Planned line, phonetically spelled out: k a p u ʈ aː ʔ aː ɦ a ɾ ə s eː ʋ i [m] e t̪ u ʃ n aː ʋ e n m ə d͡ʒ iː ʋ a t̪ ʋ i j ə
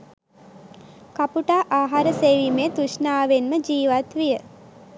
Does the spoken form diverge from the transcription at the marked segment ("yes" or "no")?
no